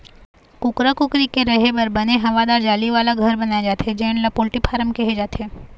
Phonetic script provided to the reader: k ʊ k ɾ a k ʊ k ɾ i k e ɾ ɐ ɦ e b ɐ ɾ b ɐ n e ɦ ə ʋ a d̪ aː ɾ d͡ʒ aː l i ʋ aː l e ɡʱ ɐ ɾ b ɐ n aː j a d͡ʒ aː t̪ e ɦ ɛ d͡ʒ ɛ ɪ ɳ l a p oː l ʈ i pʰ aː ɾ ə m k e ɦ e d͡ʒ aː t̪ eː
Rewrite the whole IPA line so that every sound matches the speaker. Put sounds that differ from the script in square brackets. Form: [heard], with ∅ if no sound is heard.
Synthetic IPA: k ʊ k ɾ a k ʊ k ɾ i k e ɾ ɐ ɦ e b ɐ ɾ b ɐ n e ɦ [ɐ] ʋ a d̪ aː ɾ d͡ʒ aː l i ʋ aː l [a] ɡʱ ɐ ɾ b ɐ n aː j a d͡ʒ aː t̪ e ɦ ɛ d͡ʒ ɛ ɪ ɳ l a p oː l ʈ i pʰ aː ɾ ə m k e ɦ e d͡ʒ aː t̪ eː